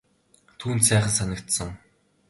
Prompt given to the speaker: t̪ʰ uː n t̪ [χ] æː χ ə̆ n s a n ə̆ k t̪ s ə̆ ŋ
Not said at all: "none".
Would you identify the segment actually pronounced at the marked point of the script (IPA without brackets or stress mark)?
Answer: s